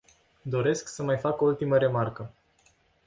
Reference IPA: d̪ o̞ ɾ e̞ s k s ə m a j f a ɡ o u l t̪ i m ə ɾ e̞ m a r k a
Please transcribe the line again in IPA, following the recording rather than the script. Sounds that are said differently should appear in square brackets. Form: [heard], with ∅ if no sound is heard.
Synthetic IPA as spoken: d̪ o̞ ɾ e̞ s k s ə m a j f a [k] o u l t̪ i m ə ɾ e̞ m a r k [ə]

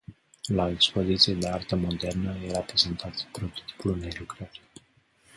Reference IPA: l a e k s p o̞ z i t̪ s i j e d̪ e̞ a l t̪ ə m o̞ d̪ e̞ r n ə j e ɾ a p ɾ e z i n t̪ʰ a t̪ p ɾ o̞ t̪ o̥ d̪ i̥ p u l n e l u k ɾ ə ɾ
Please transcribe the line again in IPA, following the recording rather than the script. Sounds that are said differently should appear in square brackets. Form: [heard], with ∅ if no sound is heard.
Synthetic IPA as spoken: l a e k s p o̞ z i t̪ s i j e d̪ e̞ a [r] t̪ ə m o̞ d̪ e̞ r n ə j e ɾ a p ɾ e z [e] n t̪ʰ a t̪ p ɾ o̞ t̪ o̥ [t̪] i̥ p u l n e l u k ɾ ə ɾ

